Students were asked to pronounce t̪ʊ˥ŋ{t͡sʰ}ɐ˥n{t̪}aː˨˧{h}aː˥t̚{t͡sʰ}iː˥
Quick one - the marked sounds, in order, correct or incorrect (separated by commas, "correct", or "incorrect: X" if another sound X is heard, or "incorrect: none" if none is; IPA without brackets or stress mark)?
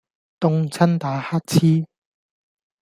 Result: correct, correct, correct, correct